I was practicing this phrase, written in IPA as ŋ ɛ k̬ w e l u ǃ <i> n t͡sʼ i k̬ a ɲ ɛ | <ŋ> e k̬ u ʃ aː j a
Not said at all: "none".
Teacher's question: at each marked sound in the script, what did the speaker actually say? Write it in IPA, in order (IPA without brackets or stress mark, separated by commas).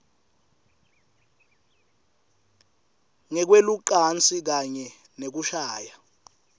a, n